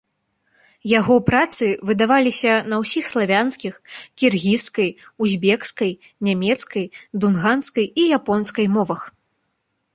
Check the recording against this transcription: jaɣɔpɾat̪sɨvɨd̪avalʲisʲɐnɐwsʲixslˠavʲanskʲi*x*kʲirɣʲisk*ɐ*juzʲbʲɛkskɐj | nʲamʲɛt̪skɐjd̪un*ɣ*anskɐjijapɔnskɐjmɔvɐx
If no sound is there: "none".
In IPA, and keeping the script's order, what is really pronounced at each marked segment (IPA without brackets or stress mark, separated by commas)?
x, ɐ, ɣ